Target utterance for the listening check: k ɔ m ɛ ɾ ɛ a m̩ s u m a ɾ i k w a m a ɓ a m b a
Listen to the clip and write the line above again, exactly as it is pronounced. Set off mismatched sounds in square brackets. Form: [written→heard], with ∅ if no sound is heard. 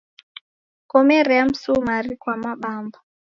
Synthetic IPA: k ɔ m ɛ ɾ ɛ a m̩ s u m a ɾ i k w a m a ɓ a m b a